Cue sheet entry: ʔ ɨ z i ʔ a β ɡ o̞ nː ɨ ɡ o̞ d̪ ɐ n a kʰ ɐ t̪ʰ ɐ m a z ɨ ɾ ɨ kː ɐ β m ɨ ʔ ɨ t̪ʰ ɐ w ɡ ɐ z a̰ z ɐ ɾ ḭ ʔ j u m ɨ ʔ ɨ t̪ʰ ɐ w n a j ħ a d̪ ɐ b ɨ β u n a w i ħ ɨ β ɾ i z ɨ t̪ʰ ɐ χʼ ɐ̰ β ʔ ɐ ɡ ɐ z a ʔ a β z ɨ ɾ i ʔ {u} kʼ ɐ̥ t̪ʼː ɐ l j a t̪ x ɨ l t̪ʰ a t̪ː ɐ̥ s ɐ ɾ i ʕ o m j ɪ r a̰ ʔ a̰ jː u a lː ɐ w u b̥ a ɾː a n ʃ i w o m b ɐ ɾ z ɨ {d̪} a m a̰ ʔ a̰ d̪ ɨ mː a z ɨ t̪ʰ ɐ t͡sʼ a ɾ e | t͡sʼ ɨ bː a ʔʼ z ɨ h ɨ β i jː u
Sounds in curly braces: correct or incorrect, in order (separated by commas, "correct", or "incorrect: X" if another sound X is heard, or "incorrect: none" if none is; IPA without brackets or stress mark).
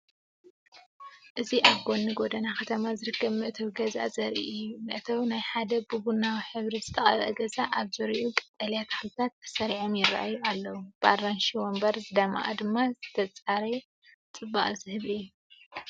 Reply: correct, correct